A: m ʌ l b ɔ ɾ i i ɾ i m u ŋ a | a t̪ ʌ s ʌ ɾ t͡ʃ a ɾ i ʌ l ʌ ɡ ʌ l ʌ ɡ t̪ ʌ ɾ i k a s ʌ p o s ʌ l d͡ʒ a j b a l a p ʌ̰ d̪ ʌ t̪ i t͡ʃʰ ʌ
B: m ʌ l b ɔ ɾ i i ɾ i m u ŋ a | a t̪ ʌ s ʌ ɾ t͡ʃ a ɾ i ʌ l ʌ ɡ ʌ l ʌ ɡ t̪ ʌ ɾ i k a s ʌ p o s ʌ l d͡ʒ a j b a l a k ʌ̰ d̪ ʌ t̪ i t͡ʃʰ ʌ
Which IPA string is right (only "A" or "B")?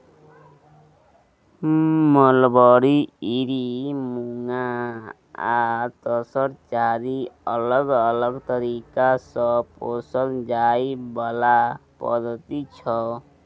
A